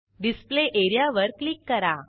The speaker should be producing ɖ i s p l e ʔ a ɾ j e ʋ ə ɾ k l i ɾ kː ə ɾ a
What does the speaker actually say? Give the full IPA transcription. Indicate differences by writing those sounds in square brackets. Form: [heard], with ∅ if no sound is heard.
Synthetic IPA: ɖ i s p l e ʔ [e] ɾ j [a] ʋ ə ɾ k l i [∅] kː ə ɾ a